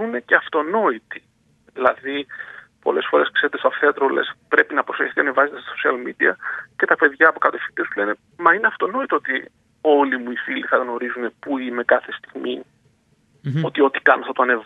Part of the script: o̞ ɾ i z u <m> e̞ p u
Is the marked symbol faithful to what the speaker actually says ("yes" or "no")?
no